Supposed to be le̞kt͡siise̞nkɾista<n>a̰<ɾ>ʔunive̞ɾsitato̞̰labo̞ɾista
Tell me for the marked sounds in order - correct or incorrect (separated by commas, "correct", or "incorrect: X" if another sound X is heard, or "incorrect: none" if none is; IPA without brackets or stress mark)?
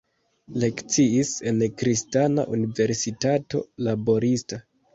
correct, incorrect: none